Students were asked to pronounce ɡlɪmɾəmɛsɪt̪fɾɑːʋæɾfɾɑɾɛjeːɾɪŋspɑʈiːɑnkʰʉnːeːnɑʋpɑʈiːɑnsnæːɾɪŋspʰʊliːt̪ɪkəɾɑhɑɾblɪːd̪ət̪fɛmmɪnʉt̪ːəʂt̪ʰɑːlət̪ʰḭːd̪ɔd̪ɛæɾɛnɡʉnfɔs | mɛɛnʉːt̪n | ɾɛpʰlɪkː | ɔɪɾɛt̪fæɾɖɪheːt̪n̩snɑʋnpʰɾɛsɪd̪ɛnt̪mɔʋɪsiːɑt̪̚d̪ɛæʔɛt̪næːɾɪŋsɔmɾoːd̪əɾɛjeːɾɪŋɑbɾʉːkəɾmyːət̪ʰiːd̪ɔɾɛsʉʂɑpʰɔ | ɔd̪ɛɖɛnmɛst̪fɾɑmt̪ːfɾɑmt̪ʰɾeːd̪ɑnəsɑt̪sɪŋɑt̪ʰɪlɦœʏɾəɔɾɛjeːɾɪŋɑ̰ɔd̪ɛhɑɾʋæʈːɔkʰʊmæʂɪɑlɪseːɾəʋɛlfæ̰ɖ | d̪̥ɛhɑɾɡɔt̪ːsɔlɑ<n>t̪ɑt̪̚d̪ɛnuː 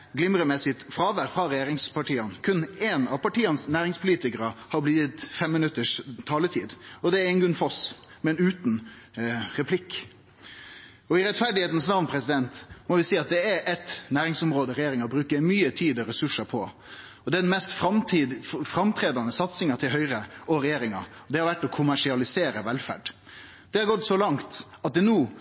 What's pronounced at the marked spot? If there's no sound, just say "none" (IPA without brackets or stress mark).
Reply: ŋ